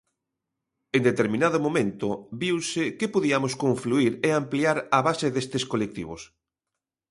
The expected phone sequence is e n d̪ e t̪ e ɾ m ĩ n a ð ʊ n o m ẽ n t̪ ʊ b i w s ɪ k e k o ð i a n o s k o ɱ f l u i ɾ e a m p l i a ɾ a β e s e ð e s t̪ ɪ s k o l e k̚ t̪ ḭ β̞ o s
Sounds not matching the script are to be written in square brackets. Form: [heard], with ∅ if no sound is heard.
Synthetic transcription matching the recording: e n d̪ e t̪ e ɾ m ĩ n a ð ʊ [m] o m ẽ n t̪ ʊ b i w s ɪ k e [p] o ð i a [m] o s k o ɱ f l u i ɾ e a m p l i a ɾ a β [a] s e ð e s t̪ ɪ s k o l e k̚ t̪ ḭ β̞ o s